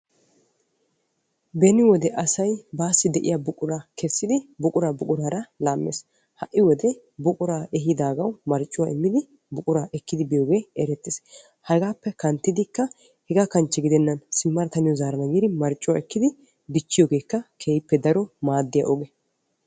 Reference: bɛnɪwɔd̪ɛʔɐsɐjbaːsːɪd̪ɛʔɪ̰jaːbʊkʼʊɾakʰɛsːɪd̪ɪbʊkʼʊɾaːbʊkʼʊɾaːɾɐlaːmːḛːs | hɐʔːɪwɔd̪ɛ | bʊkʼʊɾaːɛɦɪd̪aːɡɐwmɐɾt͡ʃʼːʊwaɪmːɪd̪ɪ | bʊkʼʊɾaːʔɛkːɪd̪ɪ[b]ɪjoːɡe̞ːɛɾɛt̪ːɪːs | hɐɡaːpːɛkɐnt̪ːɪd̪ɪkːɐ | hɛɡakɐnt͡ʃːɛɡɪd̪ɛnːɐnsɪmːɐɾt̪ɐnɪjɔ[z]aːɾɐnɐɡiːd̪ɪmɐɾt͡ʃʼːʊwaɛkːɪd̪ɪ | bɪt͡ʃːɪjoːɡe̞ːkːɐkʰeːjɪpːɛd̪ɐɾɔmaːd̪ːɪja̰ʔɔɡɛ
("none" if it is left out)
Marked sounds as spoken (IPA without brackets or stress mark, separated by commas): b, z